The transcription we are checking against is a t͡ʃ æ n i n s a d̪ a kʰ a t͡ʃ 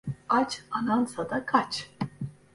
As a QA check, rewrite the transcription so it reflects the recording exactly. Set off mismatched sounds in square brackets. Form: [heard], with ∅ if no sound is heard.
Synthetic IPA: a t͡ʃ [a] n [a] n s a d̪ a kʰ a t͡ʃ